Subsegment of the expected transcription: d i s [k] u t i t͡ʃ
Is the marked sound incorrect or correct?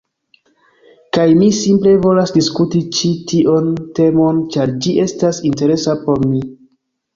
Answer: correct